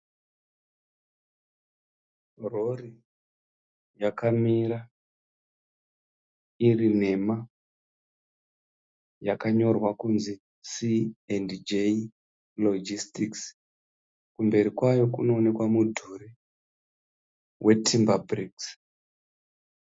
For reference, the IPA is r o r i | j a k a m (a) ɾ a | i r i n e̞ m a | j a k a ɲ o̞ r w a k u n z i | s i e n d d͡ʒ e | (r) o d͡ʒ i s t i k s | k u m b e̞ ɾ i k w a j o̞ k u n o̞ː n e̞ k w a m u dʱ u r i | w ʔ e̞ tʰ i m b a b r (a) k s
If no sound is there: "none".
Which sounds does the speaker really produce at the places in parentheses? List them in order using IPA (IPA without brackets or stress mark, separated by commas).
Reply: i, l, i